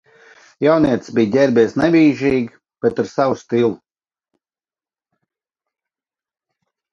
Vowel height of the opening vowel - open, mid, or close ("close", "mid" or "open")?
open